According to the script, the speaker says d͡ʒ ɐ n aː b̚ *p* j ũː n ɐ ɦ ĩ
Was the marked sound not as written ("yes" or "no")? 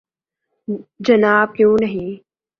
yes